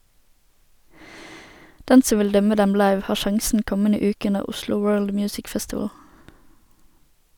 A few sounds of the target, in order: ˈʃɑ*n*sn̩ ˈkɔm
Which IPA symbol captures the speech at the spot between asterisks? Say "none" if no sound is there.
ŋ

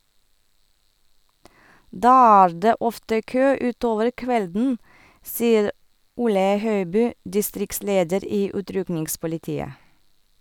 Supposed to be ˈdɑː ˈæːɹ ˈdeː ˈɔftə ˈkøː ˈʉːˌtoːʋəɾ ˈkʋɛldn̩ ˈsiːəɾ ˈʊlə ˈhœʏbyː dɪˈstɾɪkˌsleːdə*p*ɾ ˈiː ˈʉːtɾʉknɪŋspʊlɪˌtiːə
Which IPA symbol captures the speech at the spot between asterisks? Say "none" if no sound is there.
none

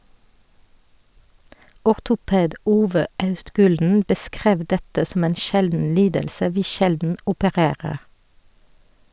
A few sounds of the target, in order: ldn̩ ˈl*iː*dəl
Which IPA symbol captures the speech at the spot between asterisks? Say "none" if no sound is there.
iː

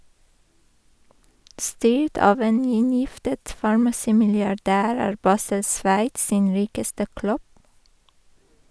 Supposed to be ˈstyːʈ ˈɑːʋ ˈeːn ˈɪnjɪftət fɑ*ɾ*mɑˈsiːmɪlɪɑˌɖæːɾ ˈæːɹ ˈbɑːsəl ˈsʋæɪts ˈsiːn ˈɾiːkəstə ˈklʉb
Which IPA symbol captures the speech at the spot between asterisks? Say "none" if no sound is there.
ɹ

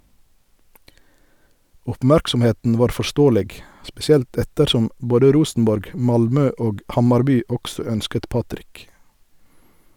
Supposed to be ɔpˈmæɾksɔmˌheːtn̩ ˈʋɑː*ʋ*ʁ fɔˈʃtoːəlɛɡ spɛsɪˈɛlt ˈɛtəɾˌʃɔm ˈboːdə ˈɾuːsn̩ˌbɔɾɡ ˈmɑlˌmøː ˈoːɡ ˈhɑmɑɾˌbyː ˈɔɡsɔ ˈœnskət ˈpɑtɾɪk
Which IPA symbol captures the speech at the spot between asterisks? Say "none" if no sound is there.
none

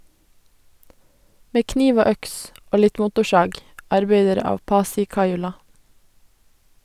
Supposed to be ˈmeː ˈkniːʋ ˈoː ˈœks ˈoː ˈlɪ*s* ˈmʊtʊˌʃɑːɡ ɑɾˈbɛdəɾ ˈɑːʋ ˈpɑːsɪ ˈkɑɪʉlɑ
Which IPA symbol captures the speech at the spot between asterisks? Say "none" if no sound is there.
t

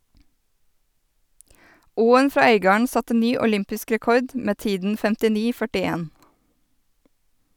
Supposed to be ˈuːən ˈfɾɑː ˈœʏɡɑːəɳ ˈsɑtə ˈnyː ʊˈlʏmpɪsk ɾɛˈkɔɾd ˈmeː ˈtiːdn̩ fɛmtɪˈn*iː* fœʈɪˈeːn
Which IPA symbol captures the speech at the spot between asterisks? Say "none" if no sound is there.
iː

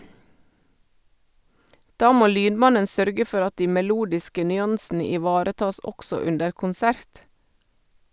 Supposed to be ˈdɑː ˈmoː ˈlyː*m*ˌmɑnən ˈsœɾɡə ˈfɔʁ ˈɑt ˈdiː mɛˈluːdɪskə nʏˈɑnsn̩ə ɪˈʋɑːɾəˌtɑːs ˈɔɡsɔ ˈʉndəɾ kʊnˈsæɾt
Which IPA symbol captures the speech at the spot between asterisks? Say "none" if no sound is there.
n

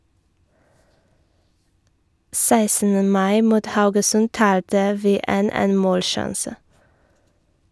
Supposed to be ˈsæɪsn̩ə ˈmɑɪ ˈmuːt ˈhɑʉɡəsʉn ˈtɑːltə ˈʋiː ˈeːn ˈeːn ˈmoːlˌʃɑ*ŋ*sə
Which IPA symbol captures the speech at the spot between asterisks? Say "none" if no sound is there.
n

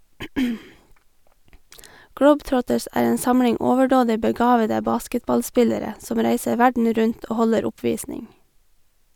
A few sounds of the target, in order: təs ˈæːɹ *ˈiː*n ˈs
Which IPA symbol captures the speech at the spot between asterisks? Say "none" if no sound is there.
eː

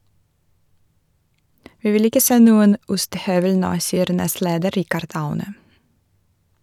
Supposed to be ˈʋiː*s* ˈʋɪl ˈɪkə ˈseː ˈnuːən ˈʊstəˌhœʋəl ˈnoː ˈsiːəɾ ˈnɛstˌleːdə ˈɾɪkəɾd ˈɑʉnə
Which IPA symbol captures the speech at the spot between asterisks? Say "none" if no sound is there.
none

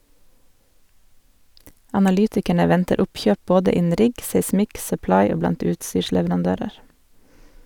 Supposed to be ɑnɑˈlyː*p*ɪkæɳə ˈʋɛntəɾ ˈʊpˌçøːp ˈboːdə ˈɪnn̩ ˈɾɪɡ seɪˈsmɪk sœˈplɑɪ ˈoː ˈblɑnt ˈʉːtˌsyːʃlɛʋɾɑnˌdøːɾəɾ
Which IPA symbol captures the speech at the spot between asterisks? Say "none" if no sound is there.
t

